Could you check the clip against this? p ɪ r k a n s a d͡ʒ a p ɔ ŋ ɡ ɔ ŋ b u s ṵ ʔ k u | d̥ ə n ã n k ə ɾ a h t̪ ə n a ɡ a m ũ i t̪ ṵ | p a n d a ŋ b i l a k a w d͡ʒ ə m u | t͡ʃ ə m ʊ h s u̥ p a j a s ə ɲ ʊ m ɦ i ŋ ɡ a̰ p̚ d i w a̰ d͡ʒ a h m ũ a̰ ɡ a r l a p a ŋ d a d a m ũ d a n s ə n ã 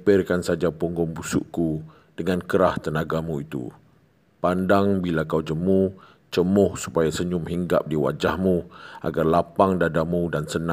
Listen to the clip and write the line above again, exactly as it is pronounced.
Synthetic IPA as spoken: p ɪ r k a n s a d͡ʒ a p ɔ ŋ ɡ ɔ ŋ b u s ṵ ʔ k u | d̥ ə ŋ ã n k ə ɾ a h t̪ ə n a ɡ a m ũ i t̪ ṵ | p a n d a ŋ b i l a k a w d͡ʒ ə m u | t͡ʃ ə m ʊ h s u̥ p a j a s ə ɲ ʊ m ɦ i ŋ ɡ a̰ p̚ d i w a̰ d͡ʒ a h m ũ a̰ ɡ a r l a p a ŋ d a d a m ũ d a n s ə n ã